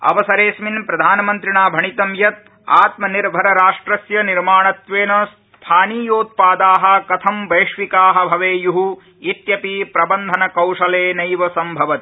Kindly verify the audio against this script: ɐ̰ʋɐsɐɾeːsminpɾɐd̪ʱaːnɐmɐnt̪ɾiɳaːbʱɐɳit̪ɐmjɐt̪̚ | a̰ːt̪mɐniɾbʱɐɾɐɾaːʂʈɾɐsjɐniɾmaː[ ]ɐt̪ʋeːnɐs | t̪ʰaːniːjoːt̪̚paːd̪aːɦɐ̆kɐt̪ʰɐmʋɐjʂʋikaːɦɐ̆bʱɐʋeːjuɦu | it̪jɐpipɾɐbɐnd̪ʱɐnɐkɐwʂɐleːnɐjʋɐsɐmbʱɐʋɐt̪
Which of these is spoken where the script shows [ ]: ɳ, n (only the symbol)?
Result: ɳ